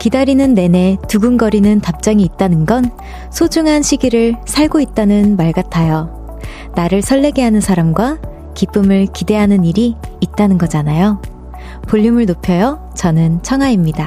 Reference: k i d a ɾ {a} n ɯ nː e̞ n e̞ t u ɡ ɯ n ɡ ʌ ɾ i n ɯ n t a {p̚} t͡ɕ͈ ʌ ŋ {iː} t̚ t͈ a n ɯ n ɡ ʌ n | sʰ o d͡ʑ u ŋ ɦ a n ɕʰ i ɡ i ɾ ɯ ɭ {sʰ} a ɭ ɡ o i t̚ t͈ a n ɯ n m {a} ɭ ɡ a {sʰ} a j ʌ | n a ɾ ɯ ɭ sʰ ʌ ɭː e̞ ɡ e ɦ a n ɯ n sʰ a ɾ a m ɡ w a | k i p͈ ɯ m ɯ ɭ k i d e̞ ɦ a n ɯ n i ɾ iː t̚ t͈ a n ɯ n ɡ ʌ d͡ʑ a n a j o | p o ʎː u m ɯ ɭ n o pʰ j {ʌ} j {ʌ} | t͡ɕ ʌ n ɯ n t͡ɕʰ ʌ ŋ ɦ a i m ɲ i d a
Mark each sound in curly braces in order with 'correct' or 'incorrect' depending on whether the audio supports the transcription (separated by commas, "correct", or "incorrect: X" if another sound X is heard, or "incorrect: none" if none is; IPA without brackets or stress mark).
incorrect: i, correct, correct, correct, correct, incorrect: tʰ, correct, correct